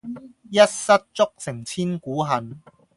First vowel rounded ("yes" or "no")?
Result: no